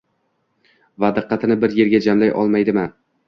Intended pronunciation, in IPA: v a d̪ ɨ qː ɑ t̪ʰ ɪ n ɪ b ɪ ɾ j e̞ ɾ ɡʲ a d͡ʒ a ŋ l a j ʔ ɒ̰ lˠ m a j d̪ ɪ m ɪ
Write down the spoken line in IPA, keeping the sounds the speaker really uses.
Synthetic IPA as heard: v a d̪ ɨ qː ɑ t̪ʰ ɪ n ɪ b ɪ ɾ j e̞ ɾ ɡʲ a d͡ʒ a m l a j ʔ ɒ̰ lˠ m a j d̪ ɪ m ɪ